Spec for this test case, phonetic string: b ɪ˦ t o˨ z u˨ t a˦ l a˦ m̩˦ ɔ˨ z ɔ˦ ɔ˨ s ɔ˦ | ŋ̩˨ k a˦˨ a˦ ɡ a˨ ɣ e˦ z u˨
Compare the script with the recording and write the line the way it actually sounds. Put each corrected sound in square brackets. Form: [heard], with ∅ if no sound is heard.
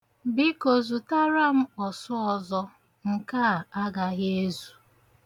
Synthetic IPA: b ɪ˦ [k] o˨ z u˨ t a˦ [ɾ] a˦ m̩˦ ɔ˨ [s] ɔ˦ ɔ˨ [z] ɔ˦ | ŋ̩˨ k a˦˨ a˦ ɡ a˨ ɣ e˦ z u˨